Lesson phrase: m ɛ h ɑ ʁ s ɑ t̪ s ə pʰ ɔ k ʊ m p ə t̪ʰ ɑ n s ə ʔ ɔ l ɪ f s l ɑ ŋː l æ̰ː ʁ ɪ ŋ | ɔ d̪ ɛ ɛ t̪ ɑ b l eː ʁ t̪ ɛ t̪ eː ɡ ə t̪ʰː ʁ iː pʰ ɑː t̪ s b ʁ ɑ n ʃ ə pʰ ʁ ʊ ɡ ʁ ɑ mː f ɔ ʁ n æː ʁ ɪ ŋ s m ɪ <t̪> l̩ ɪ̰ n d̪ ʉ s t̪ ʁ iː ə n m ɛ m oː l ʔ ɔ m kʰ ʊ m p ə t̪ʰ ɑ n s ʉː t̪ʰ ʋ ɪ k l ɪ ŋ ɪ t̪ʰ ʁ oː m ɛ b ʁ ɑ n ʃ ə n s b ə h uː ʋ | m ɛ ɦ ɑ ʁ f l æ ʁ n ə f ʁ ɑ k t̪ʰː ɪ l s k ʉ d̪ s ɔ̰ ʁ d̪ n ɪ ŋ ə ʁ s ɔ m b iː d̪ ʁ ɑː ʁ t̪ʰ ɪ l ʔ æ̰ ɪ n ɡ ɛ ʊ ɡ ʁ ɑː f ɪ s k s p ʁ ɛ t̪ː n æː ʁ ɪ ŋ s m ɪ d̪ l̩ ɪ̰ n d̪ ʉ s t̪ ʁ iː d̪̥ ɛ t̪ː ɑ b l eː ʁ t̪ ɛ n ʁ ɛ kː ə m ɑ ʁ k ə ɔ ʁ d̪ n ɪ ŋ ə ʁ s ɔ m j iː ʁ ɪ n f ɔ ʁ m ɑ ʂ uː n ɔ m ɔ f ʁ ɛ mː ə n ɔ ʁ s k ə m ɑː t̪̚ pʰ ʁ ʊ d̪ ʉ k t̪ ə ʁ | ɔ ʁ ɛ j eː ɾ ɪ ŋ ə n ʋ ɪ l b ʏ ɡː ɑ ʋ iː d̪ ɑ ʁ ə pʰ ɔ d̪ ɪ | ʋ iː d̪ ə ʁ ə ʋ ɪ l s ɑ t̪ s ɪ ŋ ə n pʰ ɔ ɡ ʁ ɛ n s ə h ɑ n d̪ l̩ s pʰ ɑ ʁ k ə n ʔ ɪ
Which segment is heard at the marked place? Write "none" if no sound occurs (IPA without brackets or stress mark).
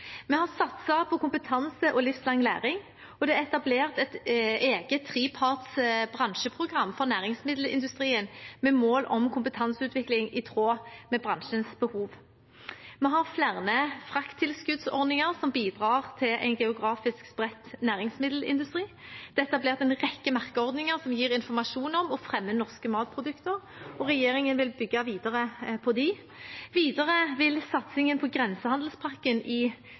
d̪